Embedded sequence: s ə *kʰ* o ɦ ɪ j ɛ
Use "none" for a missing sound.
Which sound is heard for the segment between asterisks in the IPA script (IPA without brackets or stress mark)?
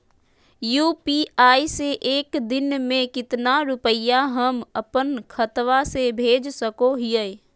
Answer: k